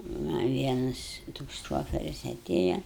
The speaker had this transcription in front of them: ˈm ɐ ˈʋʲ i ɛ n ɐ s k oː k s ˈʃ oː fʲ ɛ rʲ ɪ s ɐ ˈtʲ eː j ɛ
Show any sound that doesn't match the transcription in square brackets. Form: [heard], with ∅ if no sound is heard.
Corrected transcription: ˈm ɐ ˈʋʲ i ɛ n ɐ s [t] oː k s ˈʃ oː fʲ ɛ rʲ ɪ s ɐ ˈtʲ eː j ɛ

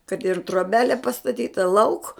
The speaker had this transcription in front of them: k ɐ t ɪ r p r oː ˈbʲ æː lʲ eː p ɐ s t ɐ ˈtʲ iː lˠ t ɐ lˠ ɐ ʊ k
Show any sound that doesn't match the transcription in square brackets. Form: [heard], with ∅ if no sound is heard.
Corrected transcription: k ɐ t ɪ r [t] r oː ˈbʲ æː lʲ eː p ɐ s t ɐ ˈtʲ iː [∅] t ɐ lˠ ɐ ʊ k

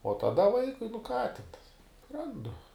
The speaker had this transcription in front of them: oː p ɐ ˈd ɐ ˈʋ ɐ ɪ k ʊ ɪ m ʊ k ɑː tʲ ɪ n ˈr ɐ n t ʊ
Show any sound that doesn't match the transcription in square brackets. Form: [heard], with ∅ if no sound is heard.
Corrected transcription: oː [t] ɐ ˈd ɐ ˈʋ ɐ ɪ k ʊ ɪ [n] ʊ k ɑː tʲ ɪ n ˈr ɐ n [d] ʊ

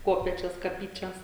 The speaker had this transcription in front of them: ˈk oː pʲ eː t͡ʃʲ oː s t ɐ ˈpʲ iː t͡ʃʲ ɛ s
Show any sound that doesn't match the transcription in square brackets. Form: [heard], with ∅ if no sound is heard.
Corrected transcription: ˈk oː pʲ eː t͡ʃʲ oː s [k] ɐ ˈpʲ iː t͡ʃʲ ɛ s

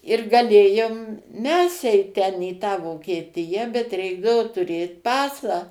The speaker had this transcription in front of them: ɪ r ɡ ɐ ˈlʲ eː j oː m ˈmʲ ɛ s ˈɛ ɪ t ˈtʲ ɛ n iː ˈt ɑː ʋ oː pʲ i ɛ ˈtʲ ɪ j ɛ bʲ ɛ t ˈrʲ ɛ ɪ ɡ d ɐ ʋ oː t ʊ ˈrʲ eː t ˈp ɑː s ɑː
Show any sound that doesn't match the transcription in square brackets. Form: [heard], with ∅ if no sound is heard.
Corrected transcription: ɪ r ɡ ɐ ˈlʲ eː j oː m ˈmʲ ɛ s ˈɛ ɪ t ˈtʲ ɛ n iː ˈt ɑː ʋ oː [kʲ] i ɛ ˈtʲ ɪ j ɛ bʲ ɛ t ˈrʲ ɛ ɪ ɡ d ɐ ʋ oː t ʊ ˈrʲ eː t ˈp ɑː s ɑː

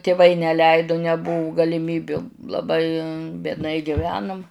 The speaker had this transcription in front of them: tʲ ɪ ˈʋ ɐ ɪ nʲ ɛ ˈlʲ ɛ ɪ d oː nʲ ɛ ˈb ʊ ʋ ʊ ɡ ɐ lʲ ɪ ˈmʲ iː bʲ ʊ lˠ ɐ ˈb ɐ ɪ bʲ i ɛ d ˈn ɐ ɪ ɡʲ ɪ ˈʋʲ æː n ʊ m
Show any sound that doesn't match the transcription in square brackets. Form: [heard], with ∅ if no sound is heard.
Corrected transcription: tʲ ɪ ˈʋ ɐ ɪ nʲ ɛ ˈlʲ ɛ ɪ d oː nʲ ɛ ˈb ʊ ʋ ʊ ɡ ɐ lʲ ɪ ˈmʲ iː bʲ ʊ lˠ ɐ ˈb ɐ ɪ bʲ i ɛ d ˈn ɐ ɪ ɡʲ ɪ ˈʋʲ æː n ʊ m

